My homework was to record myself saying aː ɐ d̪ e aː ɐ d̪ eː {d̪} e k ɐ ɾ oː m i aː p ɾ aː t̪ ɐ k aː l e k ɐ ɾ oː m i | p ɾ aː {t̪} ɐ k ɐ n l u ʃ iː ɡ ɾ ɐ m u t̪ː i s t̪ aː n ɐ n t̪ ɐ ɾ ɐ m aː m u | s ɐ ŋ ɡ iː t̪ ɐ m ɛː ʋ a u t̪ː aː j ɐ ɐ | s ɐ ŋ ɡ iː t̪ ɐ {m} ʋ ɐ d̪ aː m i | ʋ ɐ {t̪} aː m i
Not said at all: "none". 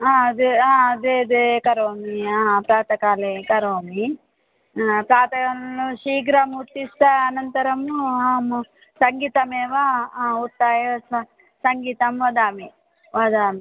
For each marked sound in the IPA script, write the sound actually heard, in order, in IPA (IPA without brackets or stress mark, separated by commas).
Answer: d̪, t̪, m, d̪